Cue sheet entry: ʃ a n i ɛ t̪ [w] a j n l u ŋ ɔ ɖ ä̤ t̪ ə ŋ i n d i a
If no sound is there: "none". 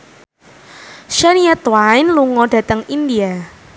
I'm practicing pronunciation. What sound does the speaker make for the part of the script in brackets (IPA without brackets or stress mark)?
w